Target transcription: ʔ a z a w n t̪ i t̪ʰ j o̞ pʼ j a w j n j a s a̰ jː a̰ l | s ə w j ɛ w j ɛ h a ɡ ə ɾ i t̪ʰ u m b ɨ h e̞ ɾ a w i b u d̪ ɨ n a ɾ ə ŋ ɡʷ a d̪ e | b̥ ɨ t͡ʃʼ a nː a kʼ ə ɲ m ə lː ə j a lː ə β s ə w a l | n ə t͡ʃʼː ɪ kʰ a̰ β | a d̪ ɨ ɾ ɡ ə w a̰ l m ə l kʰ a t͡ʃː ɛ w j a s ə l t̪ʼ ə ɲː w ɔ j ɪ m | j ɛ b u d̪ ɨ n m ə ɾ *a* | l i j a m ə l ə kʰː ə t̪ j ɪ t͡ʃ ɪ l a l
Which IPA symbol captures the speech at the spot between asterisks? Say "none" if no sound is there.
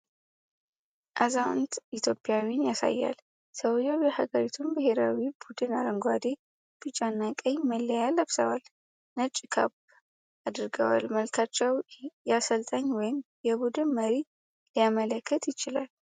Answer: i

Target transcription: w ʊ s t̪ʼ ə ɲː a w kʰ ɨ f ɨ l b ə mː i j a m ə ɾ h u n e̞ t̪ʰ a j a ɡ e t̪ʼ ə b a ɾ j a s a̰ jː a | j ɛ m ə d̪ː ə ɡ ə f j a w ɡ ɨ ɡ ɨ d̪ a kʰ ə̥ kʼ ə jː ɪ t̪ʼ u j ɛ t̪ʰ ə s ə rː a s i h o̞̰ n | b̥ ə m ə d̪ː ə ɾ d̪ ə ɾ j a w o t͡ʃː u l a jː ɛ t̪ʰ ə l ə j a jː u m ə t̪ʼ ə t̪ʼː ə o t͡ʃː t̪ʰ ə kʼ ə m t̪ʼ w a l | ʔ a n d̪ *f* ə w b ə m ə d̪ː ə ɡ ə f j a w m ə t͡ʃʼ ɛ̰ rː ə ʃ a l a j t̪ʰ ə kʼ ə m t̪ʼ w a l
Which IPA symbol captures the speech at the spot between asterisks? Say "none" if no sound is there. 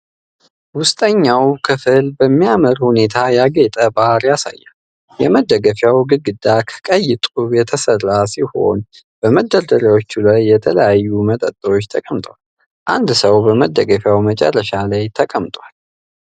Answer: s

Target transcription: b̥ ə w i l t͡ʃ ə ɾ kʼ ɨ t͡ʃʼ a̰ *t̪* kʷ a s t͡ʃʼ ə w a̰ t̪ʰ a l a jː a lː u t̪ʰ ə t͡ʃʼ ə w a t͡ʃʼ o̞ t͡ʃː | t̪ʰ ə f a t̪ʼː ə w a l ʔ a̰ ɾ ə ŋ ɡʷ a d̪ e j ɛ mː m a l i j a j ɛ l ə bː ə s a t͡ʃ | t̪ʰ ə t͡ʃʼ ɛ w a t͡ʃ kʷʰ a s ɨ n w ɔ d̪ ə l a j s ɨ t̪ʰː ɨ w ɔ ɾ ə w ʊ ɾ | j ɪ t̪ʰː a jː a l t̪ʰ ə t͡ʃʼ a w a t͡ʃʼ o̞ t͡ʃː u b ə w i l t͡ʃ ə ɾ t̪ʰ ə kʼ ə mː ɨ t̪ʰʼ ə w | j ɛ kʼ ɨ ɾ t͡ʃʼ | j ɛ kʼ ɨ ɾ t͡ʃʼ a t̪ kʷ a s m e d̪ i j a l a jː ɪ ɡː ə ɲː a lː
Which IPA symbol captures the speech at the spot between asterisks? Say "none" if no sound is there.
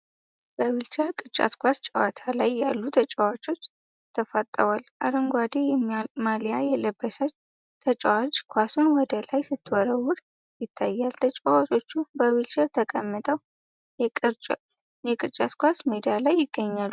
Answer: t̪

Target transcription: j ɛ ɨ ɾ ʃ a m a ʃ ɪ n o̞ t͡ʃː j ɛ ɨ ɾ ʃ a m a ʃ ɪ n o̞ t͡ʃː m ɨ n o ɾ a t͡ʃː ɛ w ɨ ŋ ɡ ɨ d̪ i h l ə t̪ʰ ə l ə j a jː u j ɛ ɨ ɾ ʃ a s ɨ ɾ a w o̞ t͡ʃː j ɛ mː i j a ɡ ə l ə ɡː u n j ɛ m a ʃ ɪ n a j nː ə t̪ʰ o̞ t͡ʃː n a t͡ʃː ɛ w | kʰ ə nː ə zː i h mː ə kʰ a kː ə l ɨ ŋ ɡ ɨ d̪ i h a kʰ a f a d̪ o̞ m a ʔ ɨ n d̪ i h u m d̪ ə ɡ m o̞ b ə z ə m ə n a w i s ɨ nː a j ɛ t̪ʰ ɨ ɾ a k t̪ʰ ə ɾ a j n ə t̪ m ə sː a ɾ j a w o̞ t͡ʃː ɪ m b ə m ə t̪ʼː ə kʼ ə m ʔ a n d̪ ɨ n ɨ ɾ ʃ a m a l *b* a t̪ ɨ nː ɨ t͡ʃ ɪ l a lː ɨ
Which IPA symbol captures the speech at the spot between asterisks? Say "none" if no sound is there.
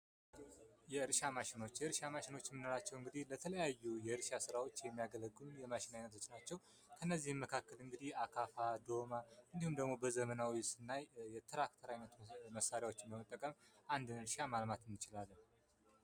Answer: m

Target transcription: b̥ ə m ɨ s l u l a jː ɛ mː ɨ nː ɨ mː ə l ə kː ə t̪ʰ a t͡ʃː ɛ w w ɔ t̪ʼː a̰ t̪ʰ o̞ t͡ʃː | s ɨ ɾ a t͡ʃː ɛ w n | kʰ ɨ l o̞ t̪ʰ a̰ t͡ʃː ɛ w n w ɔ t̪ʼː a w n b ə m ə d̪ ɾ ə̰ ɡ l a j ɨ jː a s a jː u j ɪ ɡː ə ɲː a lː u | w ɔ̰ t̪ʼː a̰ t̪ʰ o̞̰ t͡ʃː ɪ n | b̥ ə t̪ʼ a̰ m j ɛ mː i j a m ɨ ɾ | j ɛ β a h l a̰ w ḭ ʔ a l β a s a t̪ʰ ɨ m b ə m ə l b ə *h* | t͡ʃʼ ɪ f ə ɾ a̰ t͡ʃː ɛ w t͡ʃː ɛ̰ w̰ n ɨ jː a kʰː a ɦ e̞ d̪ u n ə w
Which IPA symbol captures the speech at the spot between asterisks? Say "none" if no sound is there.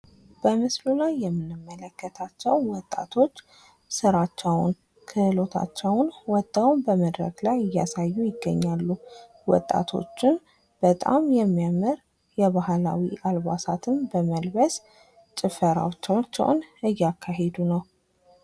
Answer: s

